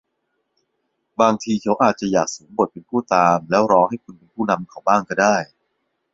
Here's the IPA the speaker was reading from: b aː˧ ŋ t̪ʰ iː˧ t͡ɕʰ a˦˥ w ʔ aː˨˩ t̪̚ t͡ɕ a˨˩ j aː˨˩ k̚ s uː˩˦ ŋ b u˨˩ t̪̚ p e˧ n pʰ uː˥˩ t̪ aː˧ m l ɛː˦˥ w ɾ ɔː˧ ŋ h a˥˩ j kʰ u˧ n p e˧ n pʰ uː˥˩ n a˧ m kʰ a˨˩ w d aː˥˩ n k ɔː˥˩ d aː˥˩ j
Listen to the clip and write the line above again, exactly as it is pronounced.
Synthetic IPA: b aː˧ ŋ t̪ʰ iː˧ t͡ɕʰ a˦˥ w ʔ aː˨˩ t̪̚ t͡ɕ a˨˩ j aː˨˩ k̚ s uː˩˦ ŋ b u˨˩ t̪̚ p e˧ n pʰ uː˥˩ t̪ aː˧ m l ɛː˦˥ w ɾ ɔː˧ ŋ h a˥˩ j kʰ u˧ n p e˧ n pʰ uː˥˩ n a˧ m kʰ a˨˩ w b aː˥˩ ŋ k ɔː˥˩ d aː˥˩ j